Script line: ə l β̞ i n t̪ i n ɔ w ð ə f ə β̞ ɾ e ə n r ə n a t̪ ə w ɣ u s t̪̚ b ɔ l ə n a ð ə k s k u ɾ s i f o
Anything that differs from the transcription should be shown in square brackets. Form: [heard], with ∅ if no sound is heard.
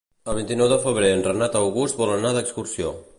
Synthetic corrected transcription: ə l β̞ i n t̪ i n ɔ w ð ə f ə β̞ ɾ e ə n r ə n a t̪ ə w ɣ u s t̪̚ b ɔ l ə n a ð ə k s k u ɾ s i [∅] o